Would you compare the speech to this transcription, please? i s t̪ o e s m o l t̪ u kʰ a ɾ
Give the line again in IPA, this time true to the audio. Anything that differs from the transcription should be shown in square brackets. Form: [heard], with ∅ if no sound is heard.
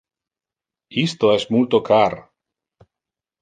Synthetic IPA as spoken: i s t̪ o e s m [u] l t̪ [o] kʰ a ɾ